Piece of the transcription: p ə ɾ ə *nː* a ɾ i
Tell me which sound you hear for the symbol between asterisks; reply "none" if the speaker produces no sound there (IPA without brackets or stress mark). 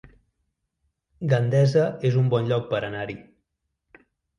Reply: n